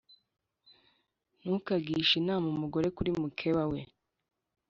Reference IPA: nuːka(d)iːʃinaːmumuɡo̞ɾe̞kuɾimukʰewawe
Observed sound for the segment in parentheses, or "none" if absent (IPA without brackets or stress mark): ɡ